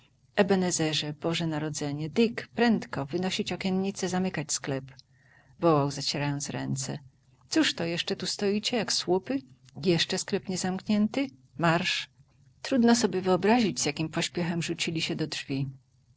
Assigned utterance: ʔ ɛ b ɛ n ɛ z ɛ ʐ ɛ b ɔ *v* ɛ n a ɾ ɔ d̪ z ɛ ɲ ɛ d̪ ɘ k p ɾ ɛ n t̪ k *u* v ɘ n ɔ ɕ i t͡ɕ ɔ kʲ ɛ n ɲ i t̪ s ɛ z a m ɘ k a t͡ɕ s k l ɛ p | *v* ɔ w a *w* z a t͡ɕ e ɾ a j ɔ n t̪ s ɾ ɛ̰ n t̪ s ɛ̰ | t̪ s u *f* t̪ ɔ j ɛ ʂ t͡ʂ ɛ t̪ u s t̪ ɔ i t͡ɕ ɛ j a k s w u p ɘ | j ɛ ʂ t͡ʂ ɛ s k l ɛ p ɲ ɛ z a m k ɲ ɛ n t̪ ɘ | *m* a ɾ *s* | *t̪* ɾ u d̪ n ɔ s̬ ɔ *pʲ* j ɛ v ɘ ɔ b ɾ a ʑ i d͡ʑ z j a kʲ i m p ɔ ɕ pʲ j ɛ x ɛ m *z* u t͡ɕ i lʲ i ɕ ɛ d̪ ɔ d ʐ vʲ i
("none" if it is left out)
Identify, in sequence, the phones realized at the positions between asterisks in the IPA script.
ʐ, ɔ, v, w, ʂ, m, ʂ, t̪, bʲ, ʐ

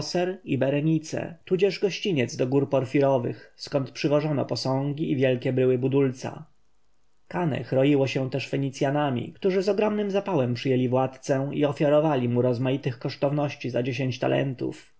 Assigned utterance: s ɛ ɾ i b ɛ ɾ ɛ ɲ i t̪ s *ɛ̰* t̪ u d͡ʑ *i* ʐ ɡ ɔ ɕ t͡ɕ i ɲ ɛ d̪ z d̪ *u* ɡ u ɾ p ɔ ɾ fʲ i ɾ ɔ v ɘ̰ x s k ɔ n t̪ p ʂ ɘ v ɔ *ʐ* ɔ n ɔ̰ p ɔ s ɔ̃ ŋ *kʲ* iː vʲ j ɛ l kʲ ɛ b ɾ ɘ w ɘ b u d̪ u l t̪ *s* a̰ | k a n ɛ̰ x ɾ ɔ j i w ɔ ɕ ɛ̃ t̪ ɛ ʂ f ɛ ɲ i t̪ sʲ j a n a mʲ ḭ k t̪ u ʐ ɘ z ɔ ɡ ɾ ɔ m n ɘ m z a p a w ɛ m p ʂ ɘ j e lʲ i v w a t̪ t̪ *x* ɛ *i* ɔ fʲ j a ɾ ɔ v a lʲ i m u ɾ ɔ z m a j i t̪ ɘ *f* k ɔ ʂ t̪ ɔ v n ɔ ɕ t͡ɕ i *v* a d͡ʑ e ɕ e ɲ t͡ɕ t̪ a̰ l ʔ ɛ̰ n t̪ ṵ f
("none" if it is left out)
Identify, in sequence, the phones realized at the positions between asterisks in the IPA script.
ɛ̰, ɛ, ɔ, ʐ, ɡʲ, s, s, i, x, z

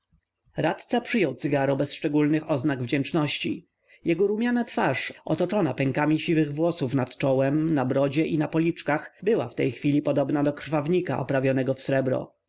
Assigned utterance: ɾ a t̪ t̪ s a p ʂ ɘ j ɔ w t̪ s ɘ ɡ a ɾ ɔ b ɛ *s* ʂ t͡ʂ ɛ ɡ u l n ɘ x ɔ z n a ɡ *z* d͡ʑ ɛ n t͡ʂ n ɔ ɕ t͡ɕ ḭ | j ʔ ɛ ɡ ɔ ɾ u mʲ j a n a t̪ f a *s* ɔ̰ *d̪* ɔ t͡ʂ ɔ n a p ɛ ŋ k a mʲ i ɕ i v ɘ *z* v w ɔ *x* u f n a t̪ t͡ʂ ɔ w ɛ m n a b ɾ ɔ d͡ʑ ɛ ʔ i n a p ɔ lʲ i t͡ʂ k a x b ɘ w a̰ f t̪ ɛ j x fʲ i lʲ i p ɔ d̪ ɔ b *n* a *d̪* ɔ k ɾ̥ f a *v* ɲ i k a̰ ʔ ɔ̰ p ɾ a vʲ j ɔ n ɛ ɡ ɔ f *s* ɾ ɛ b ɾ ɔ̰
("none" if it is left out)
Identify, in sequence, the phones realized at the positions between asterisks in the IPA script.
s, v, ʂ, t̪, ɣ, s, n, d̪, v, s

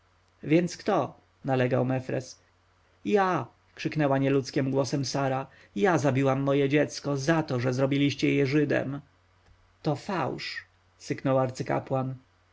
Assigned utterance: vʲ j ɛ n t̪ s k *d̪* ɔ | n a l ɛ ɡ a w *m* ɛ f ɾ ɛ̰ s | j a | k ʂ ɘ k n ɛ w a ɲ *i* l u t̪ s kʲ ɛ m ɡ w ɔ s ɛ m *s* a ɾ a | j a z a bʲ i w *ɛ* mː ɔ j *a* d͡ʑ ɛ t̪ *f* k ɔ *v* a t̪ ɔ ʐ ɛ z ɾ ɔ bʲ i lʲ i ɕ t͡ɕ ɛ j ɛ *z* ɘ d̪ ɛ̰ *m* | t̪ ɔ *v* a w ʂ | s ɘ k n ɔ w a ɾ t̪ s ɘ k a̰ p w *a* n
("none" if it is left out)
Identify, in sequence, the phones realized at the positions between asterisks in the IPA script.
t̪, m, ɛ, s, a, ɛ, s, z, ʐ, m, f, a

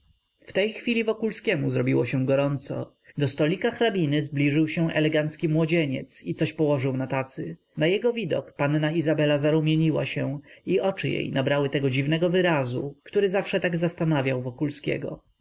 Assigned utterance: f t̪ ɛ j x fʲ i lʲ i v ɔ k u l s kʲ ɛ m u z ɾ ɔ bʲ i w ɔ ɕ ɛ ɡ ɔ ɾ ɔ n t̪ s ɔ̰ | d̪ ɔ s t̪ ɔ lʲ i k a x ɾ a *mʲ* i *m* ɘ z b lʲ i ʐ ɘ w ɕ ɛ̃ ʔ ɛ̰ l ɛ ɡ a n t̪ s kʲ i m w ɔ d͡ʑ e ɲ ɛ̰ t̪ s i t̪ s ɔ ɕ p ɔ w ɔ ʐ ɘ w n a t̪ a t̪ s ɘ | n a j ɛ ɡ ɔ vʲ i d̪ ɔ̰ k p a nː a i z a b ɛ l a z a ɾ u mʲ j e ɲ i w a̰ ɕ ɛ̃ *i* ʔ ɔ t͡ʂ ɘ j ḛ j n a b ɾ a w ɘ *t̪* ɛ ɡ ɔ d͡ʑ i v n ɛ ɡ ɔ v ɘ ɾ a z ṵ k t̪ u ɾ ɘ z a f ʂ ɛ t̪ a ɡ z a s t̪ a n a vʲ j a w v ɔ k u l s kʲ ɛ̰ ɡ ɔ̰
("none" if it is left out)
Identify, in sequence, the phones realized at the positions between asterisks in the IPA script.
bʲ, n, i, t̪

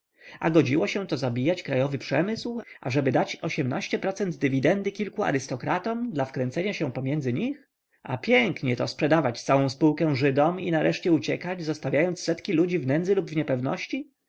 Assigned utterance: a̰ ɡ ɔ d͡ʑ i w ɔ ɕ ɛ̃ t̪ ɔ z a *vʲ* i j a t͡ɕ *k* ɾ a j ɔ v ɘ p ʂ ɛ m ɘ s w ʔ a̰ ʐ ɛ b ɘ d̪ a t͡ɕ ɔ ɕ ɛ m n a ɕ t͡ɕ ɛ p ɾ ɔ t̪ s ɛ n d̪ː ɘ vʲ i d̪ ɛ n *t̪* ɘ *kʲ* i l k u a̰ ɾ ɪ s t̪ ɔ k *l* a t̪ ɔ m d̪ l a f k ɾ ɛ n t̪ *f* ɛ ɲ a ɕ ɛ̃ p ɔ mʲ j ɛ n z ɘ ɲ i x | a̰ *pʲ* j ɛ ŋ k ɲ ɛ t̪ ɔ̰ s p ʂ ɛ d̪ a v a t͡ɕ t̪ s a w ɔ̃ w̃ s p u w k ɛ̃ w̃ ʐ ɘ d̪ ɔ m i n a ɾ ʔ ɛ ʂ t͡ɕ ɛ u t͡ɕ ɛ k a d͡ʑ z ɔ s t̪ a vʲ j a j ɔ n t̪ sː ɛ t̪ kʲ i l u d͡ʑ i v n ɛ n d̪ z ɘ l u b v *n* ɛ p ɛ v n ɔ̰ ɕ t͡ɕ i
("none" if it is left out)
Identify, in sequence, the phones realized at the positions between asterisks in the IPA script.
bʲ, k, d̪, kʲ, ɾ, s, pʲ, ɲ

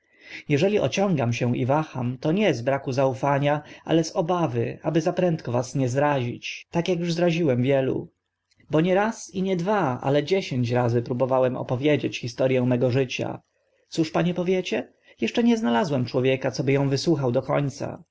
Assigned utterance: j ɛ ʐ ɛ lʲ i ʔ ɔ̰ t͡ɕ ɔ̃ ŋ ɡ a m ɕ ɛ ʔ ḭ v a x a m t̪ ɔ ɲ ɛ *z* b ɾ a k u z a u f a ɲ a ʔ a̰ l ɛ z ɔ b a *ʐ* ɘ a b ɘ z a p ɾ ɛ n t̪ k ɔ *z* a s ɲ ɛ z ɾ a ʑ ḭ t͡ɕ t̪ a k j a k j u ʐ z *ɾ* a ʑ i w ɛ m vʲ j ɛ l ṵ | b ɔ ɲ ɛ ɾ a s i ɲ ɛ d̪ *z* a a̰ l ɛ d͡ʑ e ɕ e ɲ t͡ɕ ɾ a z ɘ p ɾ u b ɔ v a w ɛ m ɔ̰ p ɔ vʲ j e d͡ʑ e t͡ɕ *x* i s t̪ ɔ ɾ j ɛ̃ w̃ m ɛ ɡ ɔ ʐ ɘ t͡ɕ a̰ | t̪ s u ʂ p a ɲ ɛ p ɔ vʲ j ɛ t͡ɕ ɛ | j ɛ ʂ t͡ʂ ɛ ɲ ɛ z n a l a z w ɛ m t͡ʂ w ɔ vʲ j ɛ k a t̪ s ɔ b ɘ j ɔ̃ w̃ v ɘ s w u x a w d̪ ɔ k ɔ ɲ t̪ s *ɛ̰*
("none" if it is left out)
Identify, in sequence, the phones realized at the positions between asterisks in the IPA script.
z, v, v, ɾ, v, x, a̰

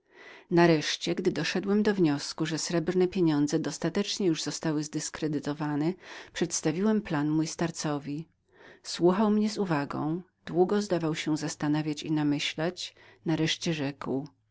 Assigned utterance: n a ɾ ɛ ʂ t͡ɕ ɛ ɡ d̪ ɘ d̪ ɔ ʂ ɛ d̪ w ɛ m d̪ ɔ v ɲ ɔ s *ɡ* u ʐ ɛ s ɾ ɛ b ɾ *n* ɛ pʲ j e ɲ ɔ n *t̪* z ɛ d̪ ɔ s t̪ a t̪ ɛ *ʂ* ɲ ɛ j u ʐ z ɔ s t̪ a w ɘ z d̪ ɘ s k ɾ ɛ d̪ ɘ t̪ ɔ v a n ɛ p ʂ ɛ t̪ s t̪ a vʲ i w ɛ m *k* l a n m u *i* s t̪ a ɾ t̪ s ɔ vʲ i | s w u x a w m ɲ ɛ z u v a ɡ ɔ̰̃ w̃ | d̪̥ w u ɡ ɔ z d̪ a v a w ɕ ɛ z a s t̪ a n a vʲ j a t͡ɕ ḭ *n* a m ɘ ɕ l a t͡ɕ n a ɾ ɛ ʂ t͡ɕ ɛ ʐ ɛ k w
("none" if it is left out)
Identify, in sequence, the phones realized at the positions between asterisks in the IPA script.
k, n, d̪, t͡ʂ, p, j, n

